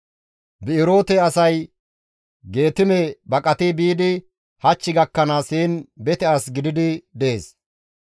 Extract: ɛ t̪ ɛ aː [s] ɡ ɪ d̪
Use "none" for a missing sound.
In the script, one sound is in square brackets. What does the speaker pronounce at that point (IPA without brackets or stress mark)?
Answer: s